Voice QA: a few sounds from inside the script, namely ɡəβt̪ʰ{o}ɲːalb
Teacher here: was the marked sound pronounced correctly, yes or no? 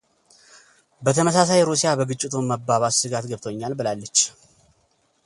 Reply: yes